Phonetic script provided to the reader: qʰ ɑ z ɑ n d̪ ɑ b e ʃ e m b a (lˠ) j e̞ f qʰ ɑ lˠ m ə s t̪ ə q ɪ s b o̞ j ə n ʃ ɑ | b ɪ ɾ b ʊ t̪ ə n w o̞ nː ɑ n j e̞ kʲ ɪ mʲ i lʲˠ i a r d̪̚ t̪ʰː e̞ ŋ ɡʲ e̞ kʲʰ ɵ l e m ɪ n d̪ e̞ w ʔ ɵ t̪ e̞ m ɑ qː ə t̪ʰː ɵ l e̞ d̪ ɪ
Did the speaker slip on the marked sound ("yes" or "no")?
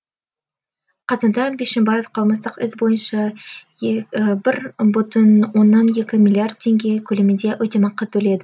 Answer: yes